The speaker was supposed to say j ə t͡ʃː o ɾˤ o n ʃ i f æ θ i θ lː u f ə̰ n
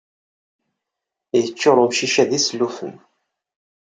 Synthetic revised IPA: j ə t͡ʃː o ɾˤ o m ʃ i ʃ æ ð i s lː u f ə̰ n